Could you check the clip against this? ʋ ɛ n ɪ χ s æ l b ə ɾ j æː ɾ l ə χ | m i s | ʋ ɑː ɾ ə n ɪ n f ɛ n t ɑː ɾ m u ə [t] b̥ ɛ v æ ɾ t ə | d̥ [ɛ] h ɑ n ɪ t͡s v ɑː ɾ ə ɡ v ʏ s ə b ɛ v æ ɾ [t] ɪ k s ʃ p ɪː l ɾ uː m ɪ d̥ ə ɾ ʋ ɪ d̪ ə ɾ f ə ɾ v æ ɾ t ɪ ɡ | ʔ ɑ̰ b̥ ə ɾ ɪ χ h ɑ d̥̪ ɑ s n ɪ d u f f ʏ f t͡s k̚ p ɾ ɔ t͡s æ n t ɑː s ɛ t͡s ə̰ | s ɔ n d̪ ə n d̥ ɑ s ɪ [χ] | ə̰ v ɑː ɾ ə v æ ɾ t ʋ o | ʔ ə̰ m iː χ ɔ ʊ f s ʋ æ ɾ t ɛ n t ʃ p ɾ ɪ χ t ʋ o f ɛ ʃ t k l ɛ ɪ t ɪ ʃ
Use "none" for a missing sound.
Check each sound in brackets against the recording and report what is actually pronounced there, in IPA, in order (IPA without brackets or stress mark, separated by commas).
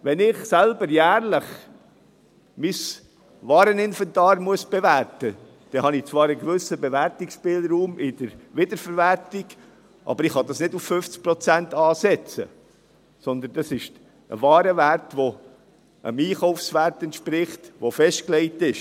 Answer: s, ɛ, t, ʃ